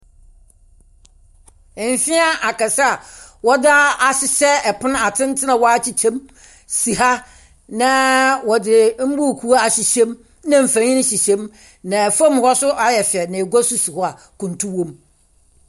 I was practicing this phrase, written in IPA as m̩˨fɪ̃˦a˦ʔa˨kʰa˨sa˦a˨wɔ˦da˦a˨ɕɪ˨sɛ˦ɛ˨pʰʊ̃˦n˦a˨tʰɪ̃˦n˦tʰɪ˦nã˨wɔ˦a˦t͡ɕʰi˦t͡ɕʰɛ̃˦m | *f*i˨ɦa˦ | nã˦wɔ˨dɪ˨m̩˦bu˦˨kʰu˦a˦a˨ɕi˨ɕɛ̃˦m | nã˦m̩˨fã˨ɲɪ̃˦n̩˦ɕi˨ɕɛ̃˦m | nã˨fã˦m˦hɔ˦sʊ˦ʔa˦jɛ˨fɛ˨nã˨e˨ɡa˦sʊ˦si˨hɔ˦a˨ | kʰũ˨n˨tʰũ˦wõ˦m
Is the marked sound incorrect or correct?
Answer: incorrect: s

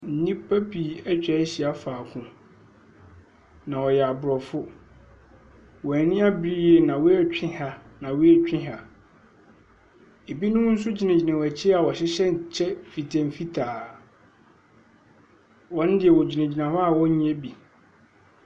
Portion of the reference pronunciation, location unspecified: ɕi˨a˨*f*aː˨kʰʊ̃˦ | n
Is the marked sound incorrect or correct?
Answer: correct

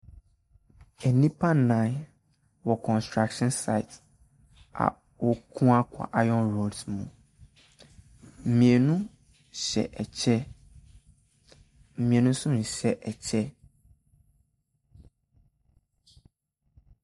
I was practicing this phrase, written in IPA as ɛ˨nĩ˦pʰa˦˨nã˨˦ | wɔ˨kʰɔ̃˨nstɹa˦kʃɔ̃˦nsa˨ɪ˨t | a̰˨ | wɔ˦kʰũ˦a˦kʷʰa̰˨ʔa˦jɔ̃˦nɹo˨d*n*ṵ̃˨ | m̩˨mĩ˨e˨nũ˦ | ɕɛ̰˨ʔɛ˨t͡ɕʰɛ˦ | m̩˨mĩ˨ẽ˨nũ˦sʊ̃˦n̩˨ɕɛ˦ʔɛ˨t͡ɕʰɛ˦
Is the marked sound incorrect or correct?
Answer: incorrect: m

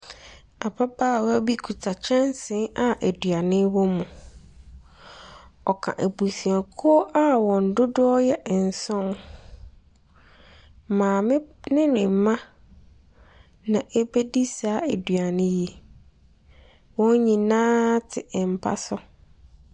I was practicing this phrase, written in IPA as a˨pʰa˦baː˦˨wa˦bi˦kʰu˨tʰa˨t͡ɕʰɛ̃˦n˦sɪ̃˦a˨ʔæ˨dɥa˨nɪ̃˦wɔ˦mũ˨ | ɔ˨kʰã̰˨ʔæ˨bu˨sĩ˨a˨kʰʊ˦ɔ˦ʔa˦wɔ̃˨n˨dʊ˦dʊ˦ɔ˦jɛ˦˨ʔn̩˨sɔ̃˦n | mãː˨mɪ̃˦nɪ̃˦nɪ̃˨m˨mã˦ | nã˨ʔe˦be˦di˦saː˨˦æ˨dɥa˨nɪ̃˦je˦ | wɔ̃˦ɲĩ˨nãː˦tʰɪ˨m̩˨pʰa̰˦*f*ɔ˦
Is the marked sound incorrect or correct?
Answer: incorrect: s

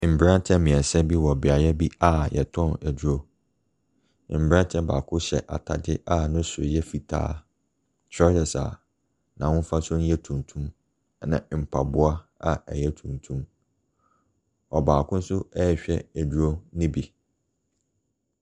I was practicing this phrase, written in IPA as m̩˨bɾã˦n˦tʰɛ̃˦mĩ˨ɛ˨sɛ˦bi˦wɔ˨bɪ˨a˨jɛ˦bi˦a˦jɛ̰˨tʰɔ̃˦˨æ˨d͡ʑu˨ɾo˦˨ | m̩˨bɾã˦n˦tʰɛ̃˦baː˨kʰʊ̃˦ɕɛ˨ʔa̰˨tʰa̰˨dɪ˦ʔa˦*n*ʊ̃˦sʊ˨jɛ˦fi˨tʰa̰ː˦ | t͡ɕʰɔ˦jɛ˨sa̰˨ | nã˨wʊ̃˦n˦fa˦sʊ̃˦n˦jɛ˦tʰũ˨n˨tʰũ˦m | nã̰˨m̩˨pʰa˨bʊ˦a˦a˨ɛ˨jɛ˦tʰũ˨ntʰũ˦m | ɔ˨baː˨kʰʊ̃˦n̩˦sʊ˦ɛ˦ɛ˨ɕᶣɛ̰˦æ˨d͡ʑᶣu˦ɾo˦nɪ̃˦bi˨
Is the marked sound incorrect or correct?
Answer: correct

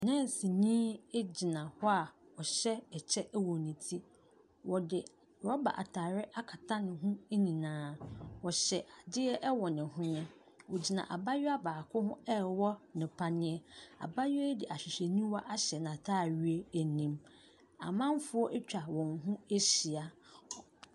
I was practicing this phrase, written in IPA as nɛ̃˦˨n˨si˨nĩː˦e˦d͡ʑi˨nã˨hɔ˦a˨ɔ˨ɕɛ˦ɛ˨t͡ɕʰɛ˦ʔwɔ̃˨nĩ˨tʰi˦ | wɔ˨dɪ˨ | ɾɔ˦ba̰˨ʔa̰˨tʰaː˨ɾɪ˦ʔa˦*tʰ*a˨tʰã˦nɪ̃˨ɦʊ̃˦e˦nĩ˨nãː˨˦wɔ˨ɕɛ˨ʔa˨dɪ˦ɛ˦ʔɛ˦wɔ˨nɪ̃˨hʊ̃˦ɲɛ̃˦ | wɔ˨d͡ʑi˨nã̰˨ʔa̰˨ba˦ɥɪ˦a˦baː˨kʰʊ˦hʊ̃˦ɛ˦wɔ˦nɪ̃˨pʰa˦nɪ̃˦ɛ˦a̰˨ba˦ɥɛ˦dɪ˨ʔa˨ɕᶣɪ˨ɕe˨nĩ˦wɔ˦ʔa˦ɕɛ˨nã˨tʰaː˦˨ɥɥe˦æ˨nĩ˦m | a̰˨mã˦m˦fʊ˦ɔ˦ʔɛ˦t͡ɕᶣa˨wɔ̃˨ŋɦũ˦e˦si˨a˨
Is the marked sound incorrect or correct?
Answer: incorrect: kʰ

